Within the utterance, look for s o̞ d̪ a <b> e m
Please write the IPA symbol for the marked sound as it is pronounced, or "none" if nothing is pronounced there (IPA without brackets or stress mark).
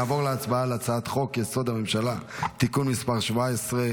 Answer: m